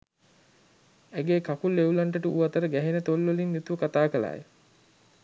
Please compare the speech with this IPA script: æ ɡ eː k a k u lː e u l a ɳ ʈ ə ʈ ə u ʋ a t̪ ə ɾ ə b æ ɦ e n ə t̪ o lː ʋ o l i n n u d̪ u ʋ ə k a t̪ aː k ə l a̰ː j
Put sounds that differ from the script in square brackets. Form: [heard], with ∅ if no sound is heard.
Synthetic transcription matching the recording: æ ɡ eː k a k u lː e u l a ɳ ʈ ə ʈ ə u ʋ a t̪ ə ɾ ə [ɡ] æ ɦ e n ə t̪ o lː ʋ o l i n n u [t̪] u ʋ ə k a t̪ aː k ə l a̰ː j